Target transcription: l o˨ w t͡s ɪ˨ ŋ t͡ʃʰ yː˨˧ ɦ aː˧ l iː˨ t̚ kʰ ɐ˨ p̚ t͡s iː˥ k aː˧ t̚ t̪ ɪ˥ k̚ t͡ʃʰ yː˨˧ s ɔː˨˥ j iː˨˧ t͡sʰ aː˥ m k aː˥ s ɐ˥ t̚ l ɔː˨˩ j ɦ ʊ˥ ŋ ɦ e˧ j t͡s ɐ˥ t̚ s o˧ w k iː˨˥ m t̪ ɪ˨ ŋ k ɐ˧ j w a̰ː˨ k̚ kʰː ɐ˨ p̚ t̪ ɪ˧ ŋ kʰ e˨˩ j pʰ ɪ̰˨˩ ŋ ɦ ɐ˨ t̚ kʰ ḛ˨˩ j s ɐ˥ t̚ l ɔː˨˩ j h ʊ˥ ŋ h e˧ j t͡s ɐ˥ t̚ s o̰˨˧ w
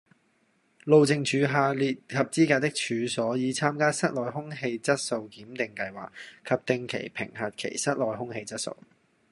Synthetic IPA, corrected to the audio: l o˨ w t͡s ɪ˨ ŋ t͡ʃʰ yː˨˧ ɦ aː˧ l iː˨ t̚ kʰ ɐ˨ p̚ t͡s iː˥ k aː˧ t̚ t̪ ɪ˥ k̚ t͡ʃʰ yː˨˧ s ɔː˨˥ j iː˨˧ t͡sʰ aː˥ m k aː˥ s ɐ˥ t̚ l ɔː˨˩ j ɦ ʊ˥ ŋ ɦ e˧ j t͡s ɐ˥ t̚ s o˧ w k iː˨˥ m t̪ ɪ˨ ŋ k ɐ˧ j w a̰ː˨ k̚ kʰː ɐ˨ p̚ t̪ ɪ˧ ŋ kʰ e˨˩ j pʰ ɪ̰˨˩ ŋ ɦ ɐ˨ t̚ kʰ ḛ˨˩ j s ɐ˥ t̚ l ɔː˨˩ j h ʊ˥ ŋ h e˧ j t͡s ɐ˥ t̚ s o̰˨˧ w